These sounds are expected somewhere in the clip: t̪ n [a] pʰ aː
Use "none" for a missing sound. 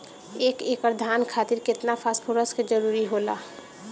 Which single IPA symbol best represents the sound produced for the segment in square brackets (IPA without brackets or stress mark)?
a